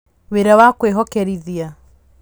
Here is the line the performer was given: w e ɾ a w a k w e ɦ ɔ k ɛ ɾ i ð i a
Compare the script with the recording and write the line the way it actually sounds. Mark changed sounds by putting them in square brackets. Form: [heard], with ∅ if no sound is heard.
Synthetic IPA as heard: w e ɾ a w a k w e ɦ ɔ k ɛ ɾ i ð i a